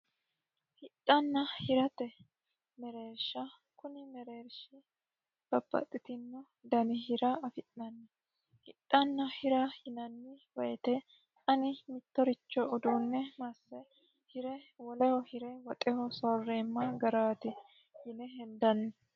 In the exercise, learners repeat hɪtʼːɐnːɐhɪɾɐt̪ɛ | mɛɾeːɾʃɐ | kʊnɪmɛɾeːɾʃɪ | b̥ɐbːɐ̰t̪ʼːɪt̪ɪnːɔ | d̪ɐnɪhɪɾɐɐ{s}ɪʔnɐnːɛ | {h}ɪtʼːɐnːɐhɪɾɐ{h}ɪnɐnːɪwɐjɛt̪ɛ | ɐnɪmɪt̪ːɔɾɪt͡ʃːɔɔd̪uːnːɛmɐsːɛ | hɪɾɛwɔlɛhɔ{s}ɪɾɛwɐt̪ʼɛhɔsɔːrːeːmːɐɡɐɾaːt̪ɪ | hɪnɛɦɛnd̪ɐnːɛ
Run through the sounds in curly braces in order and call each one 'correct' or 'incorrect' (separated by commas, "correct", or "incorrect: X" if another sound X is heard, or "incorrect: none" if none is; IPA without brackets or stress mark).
incorrect: f, correct, correct, incorrect: h